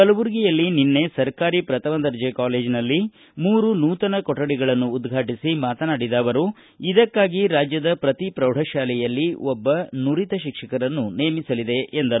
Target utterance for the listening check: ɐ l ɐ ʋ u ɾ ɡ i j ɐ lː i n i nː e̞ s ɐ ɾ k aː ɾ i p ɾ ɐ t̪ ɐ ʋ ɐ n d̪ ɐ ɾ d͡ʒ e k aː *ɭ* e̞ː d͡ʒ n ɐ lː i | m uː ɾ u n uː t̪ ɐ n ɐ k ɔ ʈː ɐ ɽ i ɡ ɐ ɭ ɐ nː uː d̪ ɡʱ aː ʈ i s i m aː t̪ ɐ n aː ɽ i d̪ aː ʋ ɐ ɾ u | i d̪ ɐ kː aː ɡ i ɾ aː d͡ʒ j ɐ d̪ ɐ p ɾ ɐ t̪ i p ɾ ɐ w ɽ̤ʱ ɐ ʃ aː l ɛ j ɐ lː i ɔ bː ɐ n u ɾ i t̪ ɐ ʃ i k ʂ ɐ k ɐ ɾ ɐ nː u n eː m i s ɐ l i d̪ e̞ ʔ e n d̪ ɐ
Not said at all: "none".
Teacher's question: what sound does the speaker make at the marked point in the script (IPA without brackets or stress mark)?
l